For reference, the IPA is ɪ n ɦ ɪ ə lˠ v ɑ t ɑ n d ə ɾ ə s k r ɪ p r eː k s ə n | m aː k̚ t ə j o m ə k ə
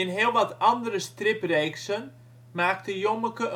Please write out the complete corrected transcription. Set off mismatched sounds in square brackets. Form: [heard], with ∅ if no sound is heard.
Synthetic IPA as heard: ɪ n ɦ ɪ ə lˠ [ʋ] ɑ t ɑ n d ə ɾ ə s [t] r ɪ p r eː k s ə n | m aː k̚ t ə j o m ə k ə